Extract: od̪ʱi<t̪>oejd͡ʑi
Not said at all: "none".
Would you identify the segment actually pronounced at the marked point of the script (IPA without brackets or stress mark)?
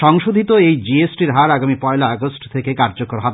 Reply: t̪